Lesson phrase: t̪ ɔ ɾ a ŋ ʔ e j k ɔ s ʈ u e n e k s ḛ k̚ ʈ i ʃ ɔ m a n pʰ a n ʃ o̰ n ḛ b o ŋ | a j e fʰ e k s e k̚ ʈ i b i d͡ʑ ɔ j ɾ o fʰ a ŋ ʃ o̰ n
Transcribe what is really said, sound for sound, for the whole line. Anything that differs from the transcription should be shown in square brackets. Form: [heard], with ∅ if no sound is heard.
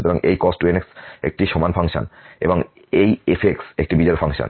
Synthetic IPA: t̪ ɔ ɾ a ŋ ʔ e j k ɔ s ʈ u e n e k s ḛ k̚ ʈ i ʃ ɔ m a n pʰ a [ŋ] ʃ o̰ n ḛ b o ŋ | [e] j e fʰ e k s e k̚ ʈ i b i d͡ʑ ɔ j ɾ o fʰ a ŋ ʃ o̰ n

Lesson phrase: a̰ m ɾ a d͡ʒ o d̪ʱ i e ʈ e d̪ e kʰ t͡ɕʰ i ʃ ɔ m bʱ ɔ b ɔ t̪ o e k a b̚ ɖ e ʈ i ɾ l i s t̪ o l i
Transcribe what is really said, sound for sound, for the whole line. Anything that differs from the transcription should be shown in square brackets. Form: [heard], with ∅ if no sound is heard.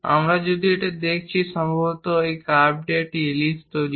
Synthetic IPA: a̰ m ɾ a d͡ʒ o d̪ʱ i e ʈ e d̪ e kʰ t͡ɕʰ i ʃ ɔ m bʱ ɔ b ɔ t̪ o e k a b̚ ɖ e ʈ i [∅] l i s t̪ o l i

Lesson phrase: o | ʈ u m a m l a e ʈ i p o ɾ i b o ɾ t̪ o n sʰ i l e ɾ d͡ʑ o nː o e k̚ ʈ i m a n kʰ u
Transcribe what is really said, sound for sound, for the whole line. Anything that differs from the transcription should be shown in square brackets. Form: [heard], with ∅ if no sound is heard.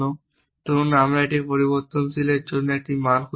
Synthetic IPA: o | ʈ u [n] a m [ɾ] a e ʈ i p o ɾ i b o ɾ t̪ o n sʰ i l e ɾ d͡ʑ o nː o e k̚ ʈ i m a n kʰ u

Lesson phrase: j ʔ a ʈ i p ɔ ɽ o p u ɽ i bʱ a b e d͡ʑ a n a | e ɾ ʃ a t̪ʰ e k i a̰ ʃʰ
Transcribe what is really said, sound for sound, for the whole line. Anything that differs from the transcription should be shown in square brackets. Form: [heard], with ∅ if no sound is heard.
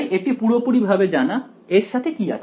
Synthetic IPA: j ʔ [e] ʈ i p [u] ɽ o p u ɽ i bʱ a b e d͡ʑ a n a | e ɾ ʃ a t̪ʰ e k i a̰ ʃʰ

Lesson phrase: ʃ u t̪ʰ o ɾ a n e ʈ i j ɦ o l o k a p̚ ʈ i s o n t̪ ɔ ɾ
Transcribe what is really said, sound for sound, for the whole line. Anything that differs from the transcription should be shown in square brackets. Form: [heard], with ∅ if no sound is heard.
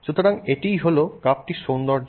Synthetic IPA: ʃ u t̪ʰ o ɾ a [ŋ] e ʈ i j ɦ o l o k a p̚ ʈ i [ʃ] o n [d̪] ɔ ɾ

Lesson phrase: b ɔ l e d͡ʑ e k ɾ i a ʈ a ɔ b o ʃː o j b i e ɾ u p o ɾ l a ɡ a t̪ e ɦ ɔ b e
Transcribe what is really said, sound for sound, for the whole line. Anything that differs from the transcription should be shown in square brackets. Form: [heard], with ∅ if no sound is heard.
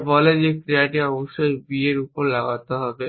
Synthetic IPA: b ɔ l e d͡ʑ e k ɾ i a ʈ [i] ɔ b o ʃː o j b i e ɾ u p o ɾ l a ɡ a t̪ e ɦ ɔ b e

